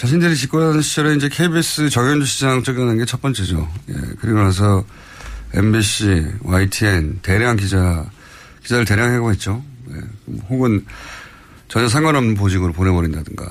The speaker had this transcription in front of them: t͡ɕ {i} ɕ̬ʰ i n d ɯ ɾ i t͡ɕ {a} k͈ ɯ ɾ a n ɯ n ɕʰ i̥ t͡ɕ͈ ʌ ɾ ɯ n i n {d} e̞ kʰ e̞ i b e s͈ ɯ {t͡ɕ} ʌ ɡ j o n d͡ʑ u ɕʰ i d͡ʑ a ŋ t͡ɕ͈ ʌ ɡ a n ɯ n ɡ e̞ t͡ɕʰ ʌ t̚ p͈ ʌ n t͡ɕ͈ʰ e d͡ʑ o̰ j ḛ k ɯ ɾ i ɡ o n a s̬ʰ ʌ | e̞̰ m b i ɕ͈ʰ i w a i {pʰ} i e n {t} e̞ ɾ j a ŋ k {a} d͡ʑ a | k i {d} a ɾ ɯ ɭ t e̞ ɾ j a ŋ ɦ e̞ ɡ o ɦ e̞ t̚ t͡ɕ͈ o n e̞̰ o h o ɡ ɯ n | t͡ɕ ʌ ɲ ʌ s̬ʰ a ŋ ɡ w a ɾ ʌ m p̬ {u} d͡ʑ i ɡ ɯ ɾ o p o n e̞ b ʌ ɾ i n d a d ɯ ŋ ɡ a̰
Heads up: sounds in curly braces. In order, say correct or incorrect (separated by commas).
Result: incorrect, incorrect, incorrect, correct, incorrect, correct, incorrect, incorrect, incorrect